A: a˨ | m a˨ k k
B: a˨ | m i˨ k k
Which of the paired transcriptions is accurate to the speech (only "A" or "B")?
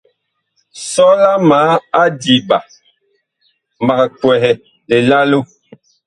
A